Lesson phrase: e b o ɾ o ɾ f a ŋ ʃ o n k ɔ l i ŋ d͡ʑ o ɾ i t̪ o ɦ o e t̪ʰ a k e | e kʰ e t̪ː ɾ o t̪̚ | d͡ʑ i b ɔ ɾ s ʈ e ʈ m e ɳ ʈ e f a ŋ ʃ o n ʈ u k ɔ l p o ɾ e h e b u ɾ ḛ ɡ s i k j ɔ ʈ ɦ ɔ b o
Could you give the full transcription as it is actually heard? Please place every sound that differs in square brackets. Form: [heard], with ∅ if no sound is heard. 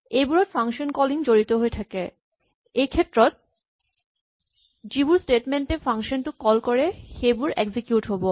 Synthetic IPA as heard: e b [u] ɾ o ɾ f a ŋ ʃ o n k ɔ l i ŋ d͡ʑ o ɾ i t̪ o ɦ o e t̪ʰ a k e | e kʰ e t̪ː ɾ o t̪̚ | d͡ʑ i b [u] ɾ s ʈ e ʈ m e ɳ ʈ e f a ŋ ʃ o n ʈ u k ɔ l [k] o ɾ e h e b u ɾ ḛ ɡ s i k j [u] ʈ ɦ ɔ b o